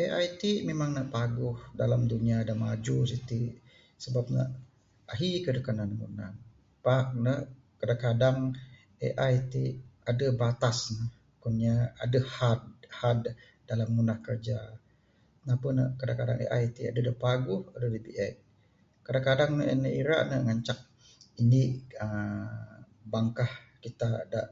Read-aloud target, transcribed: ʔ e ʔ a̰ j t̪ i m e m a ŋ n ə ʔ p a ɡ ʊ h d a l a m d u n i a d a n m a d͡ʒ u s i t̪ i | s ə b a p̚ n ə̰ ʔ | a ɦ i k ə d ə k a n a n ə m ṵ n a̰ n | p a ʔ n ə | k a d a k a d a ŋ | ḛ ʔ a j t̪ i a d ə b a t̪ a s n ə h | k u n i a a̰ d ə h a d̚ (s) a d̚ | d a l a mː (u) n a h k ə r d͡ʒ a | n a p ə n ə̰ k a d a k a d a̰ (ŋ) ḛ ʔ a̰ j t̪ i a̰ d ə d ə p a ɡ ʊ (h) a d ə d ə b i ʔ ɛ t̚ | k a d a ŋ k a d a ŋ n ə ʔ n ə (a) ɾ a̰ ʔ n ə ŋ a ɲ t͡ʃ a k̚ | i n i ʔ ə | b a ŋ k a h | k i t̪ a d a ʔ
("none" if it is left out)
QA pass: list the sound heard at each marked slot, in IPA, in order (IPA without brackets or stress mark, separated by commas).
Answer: h, u, ŋ, h, i